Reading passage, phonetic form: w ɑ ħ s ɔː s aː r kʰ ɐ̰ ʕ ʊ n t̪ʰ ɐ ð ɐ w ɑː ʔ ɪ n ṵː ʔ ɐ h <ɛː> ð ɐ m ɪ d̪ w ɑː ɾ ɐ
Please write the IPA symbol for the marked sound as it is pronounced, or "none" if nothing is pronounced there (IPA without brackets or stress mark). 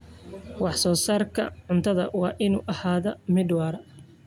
aː